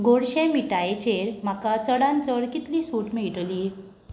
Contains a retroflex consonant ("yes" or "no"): yes